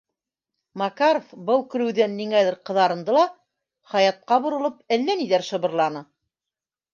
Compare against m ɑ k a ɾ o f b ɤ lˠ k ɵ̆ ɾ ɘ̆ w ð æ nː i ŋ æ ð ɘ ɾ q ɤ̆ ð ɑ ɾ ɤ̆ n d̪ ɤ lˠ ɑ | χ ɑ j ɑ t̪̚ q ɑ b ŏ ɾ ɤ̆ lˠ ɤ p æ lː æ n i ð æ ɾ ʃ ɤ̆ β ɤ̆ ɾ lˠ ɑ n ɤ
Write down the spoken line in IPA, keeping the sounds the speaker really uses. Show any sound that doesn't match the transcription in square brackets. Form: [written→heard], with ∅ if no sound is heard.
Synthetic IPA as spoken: m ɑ k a ɾ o f b ɤ lˠ k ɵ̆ ɾ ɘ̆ w ð æ nː i ŋ æ ð ɘ ɾ q ɤ̆ ð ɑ ɾ ɤ̆ n d̪ ɤ lˠ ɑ | χ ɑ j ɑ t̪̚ q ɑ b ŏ ɾ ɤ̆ lˠ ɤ p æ lː æ n i ð æ ɾ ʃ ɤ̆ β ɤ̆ ɾ lˠ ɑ n ɤ

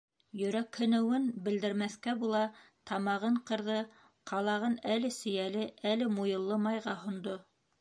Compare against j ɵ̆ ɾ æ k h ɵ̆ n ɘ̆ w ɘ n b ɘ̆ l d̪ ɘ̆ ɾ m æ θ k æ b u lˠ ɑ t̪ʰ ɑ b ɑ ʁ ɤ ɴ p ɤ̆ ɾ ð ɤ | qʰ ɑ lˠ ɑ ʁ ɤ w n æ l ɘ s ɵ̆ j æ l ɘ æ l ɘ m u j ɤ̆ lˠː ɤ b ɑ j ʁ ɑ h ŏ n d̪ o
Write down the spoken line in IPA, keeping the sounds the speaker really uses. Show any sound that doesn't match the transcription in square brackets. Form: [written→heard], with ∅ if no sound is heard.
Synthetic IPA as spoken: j ɵ̆ ɾ æ k h ɵ̆ n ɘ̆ w ɘ n b ɘ̆ l d̪ ɘ̆ ɾ m æ θ k æ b u lˠ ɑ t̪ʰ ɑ [b→m] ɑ ʁ ɤ ɴ [p→q] ɤ̆ ɾ ð ɤ | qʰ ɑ lˠ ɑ ʁ ɤ [w→∅] n æ l ɘ s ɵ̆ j æ l ɘ æ l ɘ m u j ɤ̆ lˠː ɤ [b→m] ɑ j ʁ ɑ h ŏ n d̪ o

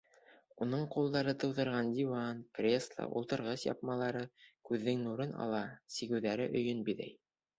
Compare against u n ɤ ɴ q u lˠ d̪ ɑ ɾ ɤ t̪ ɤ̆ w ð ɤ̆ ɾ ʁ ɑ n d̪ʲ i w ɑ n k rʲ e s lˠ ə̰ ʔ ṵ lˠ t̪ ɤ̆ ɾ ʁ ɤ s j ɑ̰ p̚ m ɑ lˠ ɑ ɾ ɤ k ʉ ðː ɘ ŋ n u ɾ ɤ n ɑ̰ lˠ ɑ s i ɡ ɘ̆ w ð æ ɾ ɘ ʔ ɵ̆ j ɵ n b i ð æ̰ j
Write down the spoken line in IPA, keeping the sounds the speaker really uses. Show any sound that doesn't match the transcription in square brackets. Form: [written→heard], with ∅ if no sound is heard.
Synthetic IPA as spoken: u n ɤ ɴ q u lˠ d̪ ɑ ɾ ɤ t̪ ɤ̆ w ð ɤ̆ ɾ ʁ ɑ n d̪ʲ i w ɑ n k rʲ e s lˠ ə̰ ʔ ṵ lˠ t̪ ɤ̆ ɾ ʁ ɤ s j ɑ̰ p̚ m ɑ lˠ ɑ ɾ ɤ k ʉ ðː ɘ ŋ n u ɾ ɤ n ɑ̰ lˠ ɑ s i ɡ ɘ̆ w ð æ ɾ ɘ ʔ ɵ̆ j ɵ n b i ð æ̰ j

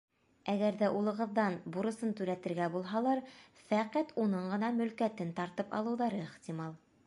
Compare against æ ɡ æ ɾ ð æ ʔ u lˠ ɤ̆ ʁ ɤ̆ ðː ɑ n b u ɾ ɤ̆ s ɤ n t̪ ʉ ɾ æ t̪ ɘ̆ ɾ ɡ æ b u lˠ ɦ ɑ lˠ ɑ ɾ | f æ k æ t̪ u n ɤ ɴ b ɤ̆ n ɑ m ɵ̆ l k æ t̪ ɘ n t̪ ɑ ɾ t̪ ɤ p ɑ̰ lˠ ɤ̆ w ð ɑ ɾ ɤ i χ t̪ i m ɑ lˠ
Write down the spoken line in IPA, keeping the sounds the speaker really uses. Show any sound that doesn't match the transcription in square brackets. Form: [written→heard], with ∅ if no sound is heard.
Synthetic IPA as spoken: æ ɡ æ ɾ ð æ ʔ u lˠ ɤ̆ ʁ ɤ̆ ðː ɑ n b u ɾ ɤ̆ s ɤ n t̪ ʉ ɾ æ t̪ ɘ̆ ɾ ɡ æ b u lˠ ɦ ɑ lˠ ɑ ɾ | f æ [k→q] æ t̪ u n ɤ ɴ [b→ɢ] ɤ̆ n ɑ m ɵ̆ l k æ t̪ ɘ n t̪ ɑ ɾ t̪ ɤ p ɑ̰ lˠ ɤ̆ w ð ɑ ɾ ɤ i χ t̪ i m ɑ lˠ

